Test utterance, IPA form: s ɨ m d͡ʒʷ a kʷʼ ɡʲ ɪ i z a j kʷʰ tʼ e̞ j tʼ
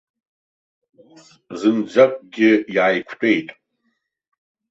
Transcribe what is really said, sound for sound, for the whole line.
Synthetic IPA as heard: z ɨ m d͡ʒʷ a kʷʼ ɡʲ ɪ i ʕ a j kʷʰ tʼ e̞ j tʼ